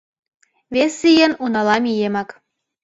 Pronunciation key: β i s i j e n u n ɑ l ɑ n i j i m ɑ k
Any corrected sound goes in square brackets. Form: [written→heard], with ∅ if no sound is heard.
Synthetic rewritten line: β [i→e] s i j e n u n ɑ l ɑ [n→m] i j [i→e] m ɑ k